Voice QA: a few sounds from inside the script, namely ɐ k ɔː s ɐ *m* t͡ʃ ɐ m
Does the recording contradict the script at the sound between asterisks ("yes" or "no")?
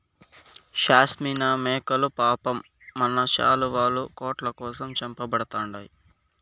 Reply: no